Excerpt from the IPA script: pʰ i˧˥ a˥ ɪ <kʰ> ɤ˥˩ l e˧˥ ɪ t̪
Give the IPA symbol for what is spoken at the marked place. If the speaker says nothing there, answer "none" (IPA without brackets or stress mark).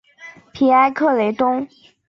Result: kʰ